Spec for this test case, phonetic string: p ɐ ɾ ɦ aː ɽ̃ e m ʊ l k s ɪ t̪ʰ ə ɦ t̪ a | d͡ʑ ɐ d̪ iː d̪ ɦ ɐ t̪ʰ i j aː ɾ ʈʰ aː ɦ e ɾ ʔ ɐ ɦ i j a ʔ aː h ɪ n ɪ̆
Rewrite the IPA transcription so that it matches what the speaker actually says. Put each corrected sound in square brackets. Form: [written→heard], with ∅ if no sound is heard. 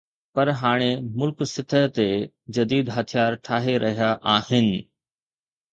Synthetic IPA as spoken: p ɐ ɾ ɦ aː ɽ̃ e m ʊ l k s ɪ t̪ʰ ə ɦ t̪ [a→e] | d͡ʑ ɐ d̪ iː d̪ ɦ ɐ t̪ʰ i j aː ɾ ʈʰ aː ɦ e ɾ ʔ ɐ ɦ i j a ʔ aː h ɪ n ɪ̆